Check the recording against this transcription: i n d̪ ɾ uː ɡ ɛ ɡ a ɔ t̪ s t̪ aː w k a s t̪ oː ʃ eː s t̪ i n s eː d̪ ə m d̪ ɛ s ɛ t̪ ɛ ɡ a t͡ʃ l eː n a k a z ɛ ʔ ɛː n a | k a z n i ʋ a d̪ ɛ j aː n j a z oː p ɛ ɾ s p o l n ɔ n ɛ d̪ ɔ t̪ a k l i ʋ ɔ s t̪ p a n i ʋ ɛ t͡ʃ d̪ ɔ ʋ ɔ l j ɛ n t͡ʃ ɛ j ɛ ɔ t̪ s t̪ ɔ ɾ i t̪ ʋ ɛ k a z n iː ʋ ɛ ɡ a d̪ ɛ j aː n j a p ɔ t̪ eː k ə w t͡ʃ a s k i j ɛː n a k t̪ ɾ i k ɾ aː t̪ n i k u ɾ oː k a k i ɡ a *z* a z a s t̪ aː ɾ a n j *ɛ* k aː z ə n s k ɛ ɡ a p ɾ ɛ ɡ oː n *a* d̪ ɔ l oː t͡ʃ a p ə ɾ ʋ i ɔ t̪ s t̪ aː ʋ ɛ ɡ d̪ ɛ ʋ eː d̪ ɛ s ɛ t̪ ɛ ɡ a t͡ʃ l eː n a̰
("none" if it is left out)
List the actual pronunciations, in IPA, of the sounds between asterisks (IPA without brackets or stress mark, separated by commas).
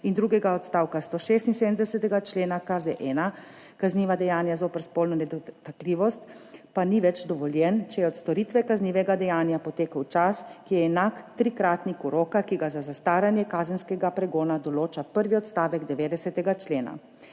z, ɛ, a